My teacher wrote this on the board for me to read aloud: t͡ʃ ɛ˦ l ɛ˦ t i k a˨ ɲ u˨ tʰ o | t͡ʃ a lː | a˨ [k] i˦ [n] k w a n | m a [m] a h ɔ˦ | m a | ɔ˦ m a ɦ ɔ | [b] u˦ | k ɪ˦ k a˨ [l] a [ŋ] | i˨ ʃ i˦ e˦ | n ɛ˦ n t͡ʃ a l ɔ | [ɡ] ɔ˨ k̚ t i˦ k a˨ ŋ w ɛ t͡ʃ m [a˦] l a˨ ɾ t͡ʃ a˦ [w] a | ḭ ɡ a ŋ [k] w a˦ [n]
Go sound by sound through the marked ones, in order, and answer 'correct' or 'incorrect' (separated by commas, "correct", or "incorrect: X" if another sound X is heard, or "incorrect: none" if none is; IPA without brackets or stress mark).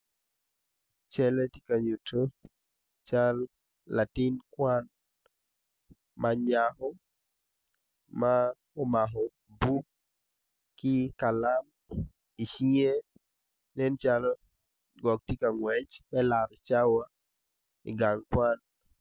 incorrect: t, correct, incorrect: ɲ, correct, correct, incorrect: m, correct, incorrect: ɛ˦, correct, correct, correct